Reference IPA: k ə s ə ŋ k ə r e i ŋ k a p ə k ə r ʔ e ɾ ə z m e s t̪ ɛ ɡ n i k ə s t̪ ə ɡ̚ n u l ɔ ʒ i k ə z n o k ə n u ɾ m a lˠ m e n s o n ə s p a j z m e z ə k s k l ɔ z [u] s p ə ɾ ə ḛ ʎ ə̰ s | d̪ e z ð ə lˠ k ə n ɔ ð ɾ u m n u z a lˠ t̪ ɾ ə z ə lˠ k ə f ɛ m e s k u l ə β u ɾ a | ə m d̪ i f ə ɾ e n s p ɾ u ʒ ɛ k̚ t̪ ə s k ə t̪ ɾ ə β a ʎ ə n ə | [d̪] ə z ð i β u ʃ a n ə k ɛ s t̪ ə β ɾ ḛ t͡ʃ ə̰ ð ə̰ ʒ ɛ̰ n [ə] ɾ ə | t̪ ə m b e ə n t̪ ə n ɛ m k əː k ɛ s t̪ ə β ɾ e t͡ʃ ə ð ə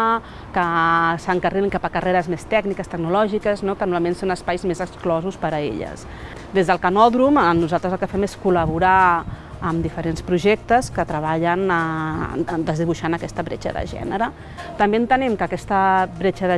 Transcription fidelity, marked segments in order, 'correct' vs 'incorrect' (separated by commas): correct, correct, correct